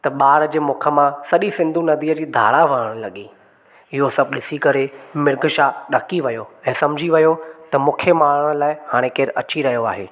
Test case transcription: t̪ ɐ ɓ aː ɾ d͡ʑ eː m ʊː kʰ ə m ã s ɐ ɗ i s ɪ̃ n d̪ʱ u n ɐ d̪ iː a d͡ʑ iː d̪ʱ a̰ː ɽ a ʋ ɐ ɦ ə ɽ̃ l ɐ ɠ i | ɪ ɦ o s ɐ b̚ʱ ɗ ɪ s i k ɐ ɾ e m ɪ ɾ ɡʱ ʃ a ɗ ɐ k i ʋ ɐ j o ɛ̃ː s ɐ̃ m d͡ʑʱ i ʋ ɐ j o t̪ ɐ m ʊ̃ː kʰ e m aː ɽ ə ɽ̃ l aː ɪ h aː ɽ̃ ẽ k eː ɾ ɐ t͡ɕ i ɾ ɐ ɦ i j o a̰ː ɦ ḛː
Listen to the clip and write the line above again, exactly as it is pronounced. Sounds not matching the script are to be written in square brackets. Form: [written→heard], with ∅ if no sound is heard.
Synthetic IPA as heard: t̪ ɐ ɓ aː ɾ d͡ʑ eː m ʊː kʰ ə m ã s ɐ ɗ i s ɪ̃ n d̪ʱ u n ɐ d̪ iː [a→ə] d͡ʑ iː d̪ʱ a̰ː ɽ a ʋ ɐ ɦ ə ɽ̃ l ɐ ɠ i | ɪ ɦ o s ɐ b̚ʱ ɗ ɪ s i k ɐ ɾ e m ɪ ɾ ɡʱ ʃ a ɗ ɐ k i ʋ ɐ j o ɛ̃ː s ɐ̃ m d͡ʑʱ i ʋ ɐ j o t̪ ɐ m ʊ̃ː kʰ e m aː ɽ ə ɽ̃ l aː ɪ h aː ɽ̃ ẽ k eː ɾ ɐ t͡ɕ i ɾ ɐ ɦ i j o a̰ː ɦ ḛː